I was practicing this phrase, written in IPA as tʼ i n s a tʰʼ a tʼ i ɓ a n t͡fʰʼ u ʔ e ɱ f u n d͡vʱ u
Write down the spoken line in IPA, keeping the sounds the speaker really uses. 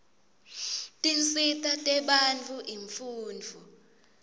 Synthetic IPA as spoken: tʼ i n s i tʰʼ a tʼ ɛ ɓ a n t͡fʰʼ u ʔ i ɱ f uː n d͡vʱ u

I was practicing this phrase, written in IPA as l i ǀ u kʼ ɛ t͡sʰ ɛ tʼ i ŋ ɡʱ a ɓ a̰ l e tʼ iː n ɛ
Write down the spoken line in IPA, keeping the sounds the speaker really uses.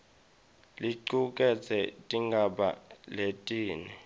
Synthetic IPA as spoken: l i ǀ u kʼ ɛ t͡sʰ ɛ tʼ i ŋ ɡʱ a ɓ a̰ l e tʼ iː n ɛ

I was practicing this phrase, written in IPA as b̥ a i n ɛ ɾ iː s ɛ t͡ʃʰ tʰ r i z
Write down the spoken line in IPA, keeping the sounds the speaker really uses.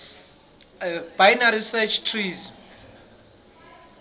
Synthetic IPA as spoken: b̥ a j n a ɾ i s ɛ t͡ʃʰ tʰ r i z

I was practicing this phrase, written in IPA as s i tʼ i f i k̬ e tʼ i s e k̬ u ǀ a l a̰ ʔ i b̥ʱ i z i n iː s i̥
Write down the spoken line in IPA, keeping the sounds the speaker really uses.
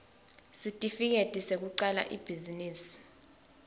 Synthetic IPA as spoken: s i tʼ i f i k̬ e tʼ i s e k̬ u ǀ a l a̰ ʔ i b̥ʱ i z i n iː s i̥

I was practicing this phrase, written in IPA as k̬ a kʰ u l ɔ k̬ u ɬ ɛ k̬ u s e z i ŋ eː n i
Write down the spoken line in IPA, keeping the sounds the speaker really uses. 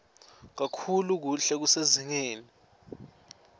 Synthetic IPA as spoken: k̬ a kʰ u l u k̬ u ɬ ɛ k̬ u s e z i ŋ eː n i

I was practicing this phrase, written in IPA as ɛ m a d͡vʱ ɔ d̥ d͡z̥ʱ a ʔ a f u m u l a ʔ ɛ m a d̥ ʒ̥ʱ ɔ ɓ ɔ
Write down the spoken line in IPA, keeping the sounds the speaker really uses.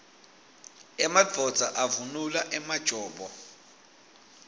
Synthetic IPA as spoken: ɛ m a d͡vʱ ɔ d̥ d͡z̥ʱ a ʔ a v u n u l a ʔ ɛ m a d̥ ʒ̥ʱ ɔː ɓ ɔ

